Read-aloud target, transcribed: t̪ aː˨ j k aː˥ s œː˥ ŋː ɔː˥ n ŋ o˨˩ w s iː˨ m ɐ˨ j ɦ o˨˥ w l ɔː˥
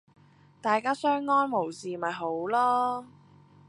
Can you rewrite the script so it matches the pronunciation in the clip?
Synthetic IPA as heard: t̪ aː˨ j k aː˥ s œː˥ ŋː ɔː˥ n m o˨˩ w s iː˨ m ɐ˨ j ɦ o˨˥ w l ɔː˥